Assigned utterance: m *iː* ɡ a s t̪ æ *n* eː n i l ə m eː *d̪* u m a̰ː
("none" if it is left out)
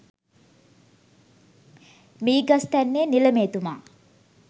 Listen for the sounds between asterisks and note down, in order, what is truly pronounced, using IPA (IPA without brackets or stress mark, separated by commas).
iː, nː, t̪